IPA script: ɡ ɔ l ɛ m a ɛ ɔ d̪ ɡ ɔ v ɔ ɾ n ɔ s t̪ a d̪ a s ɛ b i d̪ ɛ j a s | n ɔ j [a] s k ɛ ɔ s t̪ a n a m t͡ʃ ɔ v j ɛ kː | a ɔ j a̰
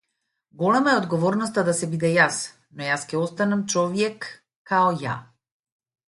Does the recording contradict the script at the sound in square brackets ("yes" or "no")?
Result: no